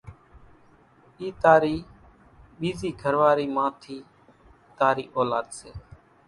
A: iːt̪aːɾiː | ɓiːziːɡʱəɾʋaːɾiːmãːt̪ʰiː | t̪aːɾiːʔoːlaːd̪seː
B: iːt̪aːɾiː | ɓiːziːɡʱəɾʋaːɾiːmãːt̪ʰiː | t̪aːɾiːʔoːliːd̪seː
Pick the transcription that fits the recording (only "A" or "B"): A